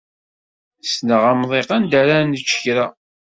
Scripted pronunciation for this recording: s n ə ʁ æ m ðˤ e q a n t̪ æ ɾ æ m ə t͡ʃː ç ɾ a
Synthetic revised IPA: s n ə ʁ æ m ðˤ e q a n d̪ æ ɾ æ n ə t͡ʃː ç ɾ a

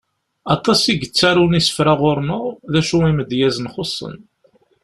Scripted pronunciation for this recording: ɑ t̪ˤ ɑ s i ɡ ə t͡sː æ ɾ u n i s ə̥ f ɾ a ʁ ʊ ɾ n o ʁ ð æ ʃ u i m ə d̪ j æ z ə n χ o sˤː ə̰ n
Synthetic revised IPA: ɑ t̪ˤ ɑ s i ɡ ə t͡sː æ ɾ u n i s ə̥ f ɾ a ʁ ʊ ɾ n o ʁ ð æ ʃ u i m ə d̪ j æ z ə n χ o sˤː ə̰ n

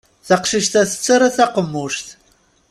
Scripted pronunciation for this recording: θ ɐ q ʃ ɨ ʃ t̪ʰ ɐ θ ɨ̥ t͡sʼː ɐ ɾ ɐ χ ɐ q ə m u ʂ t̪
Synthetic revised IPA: θ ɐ q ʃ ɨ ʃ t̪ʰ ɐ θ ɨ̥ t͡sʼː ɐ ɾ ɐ θ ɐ q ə m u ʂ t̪

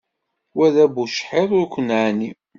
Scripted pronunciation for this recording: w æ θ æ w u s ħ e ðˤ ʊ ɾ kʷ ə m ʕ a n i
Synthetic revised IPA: w æ ð æ b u ʃ ħ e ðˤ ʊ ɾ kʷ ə n ʕ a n i

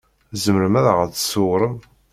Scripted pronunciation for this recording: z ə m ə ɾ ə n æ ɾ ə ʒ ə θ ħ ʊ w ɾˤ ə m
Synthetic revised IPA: z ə m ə ɾ ə m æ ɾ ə ʁ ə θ s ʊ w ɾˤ ə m

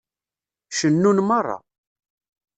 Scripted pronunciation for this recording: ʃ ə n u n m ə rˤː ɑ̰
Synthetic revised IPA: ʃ ə nː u n m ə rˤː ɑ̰

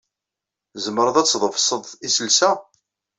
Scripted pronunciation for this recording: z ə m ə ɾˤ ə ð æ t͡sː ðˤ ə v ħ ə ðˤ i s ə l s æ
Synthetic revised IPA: z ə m ə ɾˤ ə ð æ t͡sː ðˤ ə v s ə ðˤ i s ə l s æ

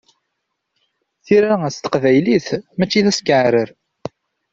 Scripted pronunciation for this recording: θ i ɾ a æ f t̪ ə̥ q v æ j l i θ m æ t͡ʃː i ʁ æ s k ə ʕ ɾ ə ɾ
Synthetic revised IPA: θ i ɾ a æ s t̪ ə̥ q v æ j l i θ m æ t͡ʃː i ð æ s k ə ʕ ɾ ə ɾ

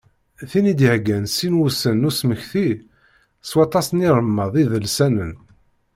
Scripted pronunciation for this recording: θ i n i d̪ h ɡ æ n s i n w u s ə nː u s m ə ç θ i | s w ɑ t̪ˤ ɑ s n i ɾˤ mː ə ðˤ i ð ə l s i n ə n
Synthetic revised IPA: θ i n i d̪ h ɡ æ n s i n w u s ə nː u s m ə ç θ i | s w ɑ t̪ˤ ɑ s n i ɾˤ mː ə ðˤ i ð ə l s æ n ə n

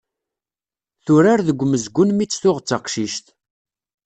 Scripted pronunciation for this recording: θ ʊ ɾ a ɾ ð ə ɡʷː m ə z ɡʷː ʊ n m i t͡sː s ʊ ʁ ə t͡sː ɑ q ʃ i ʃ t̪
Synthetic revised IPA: θ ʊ ɾ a ɾ ð ə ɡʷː m ə z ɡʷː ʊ n m i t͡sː θ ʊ ʁ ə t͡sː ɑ q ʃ i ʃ t̪

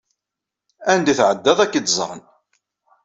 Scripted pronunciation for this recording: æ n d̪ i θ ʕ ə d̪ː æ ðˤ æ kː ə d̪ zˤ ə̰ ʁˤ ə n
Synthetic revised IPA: æ n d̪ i θ ʕ ə d̪ː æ ðˤ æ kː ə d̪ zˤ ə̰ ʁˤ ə n

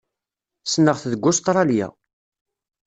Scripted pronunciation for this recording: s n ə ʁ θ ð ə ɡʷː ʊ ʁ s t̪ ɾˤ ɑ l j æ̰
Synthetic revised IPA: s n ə ʁ θ ð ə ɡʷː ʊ s t̪ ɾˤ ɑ l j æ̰

